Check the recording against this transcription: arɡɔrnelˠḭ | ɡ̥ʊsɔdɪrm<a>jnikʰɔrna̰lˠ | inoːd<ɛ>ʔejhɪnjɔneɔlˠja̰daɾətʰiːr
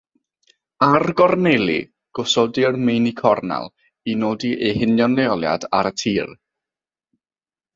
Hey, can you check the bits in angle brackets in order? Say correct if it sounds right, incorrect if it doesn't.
incorrect: e, incorrect: i

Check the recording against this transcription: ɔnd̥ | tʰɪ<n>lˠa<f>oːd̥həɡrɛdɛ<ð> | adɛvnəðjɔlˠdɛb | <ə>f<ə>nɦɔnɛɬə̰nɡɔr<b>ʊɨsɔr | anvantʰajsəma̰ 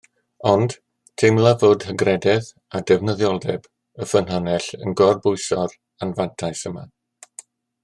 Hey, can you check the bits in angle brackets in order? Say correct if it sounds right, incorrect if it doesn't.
incorrect: m, incorrect: v, correct, correct, correct, correct

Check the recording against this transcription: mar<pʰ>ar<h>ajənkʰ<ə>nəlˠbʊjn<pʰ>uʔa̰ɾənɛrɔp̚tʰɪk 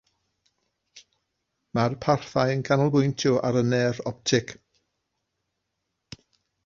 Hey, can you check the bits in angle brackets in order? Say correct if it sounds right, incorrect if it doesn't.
correct, incorrect: θ, incorrect: a, incorrect: tʰ

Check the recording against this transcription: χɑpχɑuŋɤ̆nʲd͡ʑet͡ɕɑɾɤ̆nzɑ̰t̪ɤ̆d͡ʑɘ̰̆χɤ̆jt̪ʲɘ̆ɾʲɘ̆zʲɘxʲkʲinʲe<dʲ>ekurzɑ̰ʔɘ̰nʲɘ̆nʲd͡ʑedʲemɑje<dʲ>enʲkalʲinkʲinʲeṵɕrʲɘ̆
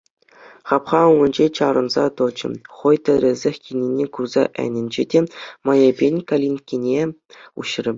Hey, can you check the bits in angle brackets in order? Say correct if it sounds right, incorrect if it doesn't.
incorrect: nʲ, incorrect: bʲ

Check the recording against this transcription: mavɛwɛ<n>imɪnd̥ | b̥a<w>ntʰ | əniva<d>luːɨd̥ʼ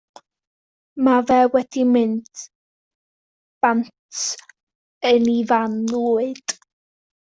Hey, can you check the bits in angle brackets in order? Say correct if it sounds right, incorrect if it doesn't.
incorrect: d, incorrect: none, incorrect: n

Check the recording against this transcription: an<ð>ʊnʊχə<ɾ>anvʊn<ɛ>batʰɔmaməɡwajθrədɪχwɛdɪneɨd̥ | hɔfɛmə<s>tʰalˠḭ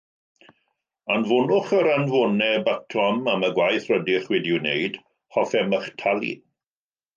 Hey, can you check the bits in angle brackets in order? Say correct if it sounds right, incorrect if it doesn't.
incorrect: v, correct, correct, incorrect: χ

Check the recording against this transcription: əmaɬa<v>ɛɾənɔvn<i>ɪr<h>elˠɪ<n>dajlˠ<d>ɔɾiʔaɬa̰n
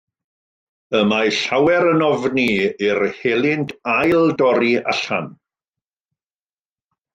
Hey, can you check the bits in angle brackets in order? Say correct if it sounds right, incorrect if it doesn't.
incorrect: w, correct, correct, correct, correct

